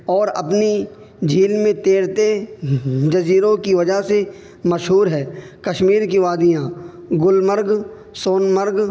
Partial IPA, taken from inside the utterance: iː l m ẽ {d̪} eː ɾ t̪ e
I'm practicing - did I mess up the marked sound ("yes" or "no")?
yes